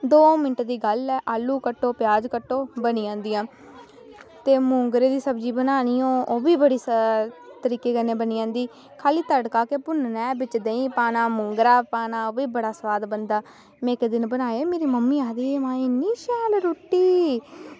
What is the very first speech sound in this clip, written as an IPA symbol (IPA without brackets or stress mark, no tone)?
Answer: d̪